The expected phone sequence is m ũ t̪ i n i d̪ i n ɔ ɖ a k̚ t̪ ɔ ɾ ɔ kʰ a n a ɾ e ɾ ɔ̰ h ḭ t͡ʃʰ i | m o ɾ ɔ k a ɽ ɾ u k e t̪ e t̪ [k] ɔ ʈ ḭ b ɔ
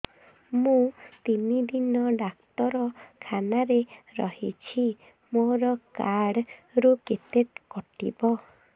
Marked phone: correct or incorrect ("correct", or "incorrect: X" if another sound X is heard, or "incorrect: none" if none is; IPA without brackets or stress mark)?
correct